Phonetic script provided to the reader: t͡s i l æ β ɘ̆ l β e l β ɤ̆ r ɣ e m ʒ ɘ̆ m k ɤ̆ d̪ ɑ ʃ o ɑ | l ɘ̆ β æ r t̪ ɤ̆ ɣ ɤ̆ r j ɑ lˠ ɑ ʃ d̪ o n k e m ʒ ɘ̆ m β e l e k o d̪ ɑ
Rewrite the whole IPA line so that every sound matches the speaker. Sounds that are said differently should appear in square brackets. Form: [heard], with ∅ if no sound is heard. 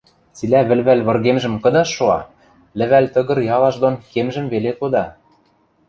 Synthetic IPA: t͡s i l æ β ɘ̆ l β [æ] l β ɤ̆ r ɣ e m ʒ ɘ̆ m k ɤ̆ d̪ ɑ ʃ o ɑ | l ɘ̆ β æ [l] t̪ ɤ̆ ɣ ɤ̆ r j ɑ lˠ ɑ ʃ d̪ o n k e m ʒ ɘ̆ m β e l e k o d̪ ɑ